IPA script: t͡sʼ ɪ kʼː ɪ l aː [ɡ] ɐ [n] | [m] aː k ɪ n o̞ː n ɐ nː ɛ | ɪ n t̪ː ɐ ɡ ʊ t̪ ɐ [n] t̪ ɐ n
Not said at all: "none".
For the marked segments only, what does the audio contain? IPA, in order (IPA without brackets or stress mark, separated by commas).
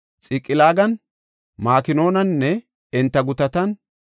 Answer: ɡ, n, m, none